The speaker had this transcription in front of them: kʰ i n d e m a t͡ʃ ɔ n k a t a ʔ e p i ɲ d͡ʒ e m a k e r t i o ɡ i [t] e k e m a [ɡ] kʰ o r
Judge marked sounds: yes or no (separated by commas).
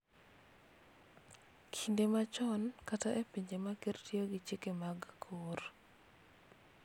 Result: no, yes